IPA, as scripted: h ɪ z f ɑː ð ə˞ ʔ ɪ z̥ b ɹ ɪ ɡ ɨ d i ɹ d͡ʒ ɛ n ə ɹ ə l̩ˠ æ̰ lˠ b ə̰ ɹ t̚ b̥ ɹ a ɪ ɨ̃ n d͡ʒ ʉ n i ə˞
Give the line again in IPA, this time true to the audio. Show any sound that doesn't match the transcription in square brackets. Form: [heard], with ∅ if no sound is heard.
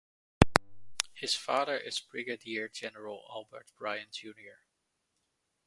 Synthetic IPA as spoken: h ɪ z f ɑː ð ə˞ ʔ ɪ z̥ b ɹ ɪ ɡ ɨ d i ɹ d͡ʒ ɛ n ə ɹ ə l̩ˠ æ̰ lˠ b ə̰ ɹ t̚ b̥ ɹ a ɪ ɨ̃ n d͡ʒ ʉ n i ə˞